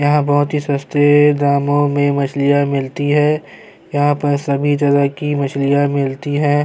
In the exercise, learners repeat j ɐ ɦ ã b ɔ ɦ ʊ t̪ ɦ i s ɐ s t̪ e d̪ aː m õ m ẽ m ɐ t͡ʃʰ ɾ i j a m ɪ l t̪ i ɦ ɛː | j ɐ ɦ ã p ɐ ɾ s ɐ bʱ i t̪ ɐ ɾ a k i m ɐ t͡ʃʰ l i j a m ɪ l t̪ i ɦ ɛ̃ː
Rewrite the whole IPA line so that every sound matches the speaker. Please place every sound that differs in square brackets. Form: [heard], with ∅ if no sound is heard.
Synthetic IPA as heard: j ɐ ɦ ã b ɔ ɦ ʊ t̪ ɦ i s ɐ s t̪ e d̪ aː m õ m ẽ m ɐ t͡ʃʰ [l] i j a m ɪ l t̪ i ɦ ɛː | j ɐ ɦ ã p ɐ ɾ s ɐ bʱ i t̪ ɐ ɾ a k i m ɐ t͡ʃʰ l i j a m ɪ l t̪ i ɦ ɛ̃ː